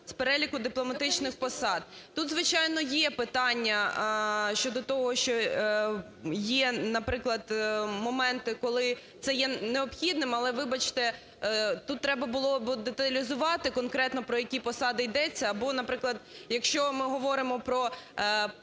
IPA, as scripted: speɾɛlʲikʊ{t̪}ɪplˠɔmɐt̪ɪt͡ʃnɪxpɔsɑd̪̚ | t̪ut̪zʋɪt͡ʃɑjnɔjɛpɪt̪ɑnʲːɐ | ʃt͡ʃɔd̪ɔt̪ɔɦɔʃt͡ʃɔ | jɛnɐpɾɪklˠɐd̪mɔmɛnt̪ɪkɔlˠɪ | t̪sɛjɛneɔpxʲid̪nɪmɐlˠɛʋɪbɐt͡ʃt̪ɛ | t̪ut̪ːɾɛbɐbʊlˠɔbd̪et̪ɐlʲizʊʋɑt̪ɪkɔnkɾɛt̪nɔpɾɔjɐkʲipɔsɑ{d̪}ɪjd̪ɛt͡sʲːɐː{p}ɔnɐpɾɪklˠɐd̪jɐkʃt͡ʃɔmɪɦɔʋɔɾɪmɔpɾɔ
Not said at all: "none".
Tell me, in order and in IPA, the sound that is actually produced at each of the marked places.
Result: d̪, d̪, b

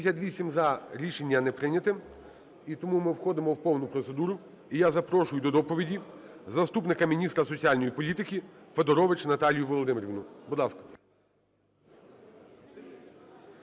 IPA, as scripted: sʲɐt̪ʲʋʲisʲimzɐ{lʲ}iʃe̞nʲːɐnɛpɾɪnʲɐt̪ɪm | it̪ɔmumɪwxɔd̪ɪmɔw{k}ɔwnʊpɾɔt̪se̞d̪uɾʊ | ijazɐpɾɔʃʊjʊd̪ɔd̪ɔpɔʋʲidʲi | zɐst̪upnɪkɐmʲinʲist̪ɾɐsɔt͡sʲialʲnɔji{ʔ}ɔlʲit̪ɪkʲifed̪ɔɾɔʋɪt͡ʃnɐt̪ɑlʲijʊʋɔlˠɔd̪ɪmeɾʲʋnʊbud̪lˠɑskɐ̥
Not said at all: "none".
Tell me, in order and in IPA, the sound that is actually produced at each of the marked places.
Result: ɾʲ, p, p

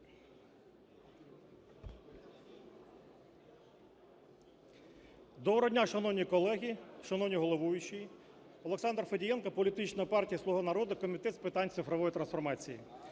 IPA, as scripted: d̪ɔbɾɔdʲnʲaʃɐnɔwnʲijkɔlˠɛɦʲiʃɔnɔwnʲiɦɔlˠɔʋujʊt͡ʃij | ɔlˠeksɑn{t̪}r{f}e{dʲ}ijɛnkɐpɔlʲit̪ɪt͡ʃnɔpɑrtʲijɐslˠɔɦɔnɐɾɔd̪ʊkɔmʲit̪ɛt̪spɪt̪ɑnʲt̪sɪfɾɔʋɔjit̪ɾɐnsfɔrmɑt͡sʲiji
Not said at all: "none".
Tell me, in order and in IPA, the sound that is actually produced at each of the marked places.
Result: d̪, f, dʲ

